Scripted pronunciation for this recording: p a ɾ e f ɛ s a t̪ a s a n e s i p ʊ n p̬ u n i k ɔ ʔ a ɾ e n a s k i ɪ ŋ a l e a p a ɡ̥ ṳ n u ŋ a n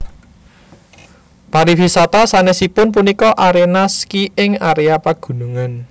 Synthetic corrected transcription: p a ɾ i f i s a t̪ a s a n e s i p ʊ n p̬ u n i k ɔ ʔ a ɾ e n a s k i ɪ ŋ a ɾ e a p a ɡ̥ ṳ n u ŋ a n